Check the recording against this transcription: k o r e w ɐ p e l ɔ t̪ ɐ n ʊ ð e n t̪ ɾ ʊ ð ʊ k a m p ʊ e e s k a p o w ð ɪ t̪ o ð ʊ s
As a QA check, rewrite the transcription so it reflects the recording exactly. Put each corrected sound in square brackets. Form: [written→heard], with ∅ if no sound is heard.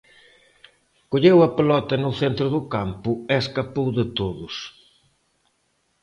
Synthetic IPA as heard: k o [r→ʎ] e w ɐ p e l ɔ t̪ ɐ n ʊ [ð→θ] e n t̪ ɾ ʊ ð ʊ k a m p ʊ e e s k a p o w ð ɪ t̪ o ð ʊ s